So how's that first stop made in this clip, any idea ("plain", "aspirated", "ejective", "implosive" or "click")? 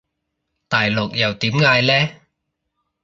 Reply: plain